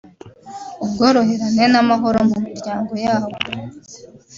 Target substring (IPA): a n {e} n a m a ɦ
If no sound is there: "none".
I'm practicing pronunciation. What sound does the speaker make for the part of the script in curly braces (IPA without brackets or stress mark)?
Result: e